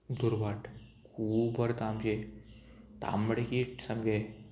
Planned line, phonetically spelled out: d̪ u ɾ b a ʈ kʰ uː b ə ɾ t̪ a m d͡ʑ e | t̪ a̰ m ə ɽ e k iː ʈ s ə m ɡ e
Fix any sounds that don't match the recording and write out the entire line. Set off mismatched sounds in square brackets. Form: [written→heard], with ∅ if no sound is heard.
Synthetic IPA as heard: d̪ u ɾ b a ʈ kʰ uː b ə ɾ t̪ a m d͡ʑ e | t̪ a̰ m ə ɽ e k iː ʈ s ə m ɡ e